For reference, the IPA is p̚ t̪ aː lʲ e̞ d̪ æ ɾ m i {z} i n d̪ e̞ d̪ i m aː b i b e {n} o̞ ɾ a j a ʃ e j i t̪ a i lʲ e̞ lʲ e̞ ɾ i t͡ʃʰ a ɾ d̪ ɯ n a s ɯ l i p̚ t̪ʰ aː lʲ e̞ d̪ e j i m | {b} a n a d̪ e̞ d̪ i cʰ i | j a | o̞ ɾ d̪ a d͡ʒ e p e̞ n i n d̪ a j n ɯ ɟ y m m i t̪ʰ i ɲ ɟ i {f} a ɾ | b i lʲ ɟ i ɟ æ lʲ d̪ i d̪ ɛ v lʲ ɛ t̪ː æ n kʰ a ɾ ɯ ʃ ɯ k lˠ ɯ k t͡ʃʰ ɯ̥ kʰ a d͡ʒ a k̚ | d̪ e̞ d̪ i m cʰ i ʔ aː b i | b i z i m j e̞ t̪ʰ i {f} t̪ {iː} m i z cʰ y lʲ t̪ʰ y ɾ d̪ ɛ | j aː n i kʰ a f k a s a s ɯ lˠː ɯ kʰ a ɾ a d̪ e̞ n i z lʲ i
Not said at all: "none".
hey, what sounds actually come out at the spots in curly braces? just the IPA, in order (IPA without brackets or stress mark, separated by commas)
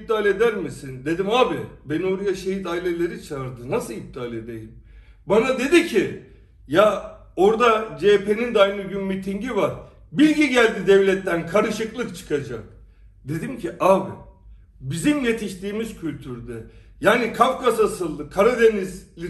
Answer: s, n, b, v, ʃ, iː